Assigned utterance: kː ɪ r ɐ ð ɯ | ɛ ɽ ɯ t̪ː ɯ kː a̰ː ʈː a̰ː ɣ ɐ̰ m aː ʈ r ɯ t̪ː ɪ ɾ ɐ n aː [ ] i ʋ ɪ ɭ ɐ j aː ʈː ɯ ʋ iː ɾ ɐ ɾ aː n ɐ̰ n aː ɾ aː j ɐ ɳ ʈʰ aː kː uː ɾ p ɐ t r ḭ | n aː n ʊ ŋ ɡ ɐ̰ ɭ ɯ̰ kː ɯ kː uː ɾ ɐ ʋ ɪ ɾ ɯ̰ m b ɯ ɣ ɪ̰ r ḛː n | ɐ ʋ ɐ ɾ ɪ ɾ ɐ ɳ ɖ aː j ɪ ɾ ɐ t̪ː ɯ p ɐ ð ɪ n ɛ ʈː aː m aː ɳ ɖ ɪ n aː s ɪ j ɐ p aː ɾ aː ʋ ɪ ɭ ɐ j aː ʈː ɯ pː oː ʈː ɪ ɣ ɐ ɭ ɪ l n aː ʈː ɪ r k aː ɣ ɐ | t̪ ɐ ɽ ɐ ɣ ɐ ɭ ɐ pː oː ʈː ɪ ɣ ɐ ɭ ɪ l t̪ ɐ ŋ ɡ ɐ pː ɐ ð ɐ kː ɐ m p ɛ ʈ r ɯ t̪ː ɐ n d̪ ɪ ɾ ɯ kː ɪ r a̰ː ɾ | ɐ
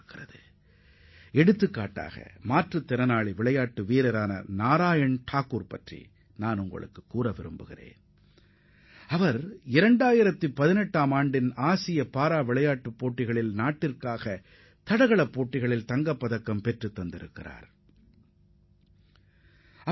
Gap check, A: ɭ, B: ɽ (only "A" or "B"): A